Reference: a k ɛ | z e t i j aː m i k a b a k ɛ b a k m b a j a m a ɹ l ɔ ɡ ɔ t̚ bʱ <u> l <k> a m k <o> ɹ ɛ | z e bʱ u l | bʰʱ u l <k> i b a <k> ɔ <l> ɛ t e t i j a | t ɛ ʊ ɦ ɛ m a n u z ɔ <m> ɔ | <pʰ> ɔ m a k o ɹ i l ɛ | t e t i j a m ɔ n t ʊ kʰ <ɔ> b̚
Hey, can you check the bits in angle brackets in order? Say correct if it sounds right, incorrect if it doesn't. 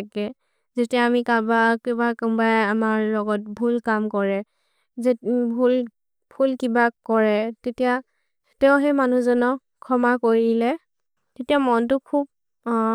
correct, correct, incorrect: ɔ, correct, correct, incorrect: ɹ, incorrect: n, incorrect: kʰ, incorrect: u

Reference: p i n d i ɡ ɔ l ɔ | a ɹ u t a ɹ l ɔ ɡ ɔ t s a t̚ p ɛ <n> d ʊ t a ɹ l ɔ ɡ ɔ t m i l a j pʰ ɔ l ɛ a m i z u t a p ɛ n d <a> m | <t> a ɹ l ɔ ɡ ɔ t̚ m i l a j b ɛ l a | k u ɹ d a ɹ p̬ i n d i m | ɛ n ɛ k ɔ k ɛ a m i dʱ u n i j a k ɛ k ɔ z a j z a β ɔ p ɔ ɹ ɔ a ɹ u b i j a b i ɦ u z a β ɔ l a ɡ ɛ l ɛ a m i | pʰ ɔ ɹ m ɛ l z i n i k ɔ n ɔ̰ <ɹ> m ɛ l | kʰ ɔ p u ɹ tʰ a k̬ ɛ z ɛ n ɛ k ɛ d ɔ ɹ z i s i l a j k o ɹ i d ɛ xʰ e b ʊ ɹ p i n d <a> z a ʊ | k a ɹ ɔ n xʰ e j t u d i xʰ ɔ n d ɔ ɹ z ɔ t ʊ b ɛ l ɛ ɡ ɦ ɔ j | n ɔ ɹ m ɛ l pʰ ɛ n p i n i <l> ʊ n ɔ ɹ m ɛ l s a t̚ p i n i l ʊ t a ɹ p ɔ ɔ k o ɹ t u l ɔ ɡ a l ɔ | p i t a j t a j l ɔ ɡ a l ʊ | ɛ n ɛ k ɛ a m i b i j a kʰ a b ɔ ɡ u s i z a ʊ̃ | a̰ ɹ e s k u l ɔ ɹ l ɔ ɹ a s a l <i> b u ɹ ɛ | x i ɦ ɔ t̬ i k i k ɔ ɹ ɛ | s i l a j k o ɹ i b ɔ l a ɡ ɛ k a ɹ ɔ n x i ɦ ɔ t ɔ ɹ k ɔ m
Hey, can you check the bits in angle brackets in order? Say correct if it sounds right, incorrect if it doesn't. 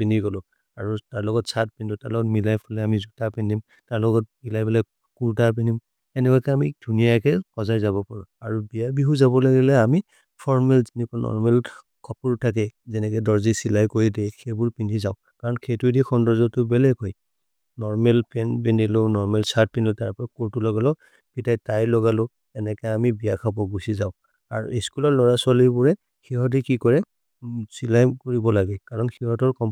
correct, incorrect: i, correct, correct, incorrect: i, correct, correct

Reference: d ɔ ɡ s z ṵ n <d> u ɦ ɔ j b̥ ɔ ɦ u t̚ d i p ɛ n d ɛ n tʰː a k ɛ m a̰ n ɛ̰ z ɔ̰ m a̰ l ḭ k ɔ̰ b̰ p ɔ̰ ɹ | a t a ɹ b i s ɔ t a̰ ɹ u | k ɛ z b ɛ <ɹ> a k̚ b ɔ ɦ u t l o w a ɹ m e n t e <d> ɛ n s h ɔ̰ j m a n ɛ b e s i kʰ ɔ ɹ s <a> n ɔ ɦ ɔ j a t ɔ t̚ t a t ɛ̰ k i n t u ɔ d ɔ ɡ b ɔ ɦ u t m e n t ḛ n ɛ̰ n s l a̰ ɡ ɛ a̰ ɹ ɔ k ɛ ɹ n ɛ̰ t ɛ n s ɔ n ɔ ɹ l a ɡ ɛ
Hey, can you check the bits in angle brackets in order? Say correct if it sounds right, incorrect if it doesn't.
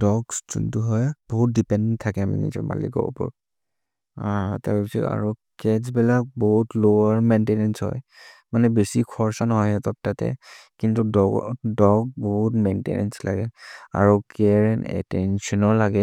incorrect: t, incorrect: l, incorrect: n, correct

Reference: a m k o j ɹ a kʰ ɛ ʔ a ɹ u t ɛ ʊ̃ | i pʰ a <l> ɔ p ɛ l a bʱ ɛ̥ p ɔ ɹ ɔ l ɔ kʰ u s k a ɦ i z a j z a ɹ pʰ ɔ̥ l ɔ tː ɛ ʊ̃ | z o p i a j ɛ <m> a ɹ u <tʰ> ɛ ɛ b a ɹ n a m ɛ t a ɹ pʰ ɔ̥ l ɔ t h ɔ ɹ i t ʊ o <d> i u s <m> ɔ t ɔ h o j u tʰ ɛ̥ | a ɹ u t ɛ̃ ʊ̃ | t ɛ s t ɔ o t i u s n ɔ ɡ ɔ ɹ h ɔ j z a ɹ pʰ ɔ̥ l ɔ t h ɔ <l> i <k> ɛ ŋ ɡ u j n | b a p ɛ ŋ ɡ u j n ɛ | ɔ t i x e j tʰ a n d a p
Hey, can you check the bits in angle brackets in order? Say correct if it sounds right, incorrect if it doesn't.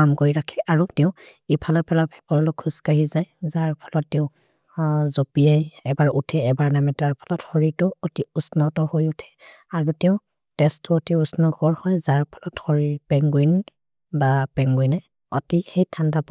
correct, incorrect: b, correct, incorrect: t, incorrect: n, incorrect: ɹ, incorrect: p

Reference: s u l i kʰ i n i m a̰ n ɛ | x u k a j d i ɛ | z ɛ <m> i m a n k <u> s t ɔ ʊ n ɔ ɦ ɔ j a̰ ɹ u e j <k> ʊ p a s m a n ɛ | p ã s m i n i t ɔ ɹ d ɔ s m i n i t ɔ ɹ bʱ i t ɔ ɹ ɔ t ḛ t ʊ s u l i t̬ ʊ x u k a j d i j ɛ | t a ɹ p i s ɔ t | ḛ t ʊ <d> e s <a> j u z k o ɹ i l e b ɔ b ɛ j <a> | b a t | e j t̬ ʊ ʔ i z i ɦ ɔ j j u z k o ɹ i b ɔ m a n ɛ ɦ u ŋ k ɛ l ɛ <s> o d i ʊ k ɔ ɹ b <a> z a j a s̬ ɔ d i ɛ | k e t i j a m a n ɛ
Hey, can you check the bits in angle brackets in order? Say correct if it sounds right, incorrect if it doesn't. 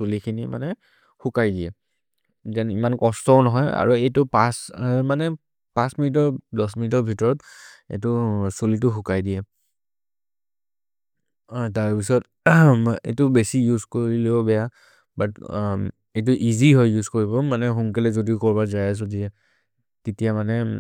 incorrect: n, incorrect: ɔ, incorrect: t, incorrect: b, incorrect: i, correct, incorrect: z, correct

